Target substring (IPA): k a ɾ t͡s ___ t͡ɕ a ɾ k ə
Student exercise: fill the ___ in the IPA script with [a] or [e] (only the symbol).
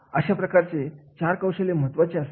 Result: e